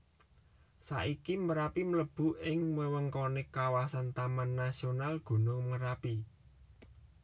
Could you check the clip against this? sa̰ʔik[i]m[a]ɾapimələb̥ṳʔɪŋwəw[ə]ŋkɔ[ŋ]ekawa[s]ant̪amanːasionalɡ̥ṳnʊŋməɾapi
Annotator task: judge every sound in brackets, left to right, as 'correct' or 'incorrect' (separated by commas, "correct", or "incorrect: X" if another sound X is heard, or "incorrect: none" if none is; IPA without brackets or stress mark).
correct, incorrect: ə, correct, incorrect: n, correct